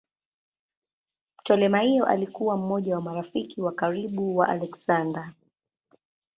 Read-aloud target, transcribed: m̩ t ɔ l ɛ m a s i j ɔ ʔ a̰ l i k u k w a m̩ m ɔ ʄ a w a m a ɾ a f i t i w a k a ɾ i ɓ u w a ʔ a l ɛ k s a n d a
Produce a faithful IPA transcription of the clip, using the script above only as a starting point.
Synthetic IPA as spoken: m̩ t ɔ l ɛ m a h i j ɔ ʔ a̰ l i k u w a m̩ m ɔ ʄ a w a m a ɾ a f i k i w a k a ɾ i ɓ u w a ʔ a l ɛ k s a n d a